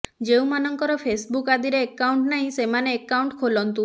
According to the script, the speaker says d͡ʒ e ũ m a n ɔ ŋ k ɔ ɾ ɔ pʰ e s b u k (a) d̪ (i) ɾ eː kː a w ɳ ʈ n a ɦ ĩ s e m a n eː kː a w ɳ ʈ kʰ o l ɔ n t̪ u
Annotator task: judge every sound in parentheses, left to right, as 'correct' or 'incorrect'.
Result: correct, correct

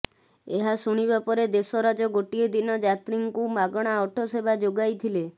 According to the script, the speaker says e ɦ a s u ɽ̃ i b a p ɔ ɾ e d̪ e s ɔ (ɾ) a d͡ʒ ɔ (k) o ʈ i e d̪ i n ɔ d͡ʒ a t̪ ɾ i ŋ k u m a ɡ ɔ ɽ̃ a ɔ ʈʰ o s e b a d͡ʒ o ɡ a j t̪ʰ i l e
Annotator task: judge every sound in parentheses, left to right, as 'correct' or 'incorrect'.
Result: correct, incorrect: ɡ

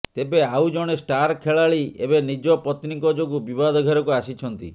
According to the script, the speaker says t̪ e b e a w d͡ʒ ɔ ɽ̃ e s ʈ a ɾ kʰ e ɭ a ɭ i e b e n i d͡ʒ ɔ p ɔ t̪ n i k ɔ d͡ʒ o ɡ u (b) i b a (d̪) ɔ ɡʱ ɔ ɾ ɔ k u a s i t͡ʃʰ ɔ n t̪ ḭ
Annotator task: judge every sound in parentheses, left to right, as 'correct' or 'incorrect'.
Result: correct, correct

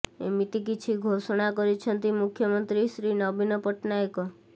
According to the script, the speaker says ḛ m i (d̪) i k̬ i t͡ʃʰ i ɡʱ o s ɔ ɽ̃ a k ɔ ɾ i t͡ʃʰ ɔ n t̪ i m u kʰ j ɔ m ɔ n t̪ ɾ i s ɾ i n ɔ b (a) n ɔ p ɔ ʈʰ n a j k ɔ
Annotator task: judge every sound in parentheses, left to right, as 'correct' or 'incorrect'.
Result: incorrect: t̪, incorrect: i

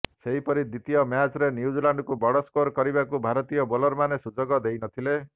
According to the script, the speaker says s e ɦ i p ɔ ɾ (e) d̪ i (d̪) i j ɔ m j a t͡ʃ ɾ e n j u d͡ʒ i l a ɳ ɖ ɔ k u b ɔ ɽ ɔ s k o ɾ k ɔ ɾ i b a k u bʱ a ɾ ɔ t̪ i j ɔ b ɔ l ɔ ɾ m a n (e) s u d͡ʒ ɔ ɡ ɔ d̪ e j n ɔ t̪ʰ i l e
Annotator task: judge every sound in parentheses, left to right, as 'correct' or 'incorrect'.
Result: incorrect: i, incorrect: t̪, correct

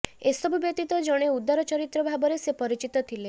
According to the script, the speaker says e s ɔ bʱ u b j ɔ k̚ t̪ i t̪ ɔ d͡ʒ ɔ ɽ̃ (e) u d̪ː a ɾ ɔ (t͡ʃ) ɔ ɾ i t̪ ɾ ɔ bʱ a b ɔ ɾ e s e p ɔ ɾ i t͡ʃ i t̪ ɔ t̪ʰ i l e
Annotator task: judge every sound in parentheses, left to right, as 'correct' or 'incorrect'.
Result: correct, correct

